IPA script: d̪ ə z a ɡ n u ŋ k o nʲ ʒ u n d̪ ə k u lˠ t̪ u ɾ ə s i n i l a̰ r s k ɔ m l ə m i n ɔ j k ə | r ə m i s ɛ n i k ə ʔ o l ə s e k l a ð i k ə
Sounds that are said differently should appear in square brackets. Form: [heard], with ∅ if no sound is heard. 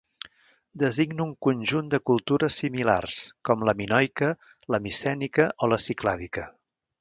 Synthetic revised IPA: d̪ ə z [i] ɡ n u ŋ k [u] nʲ ʒ u n d̪ ə k u lˠ t̪ u ɾ ə s i [m] i l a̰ r s k ɔ m l ə m i n ɔ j k ə | [l] ə m i s ɛ n i k ə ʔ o l ə s [i] k l a ð i k ə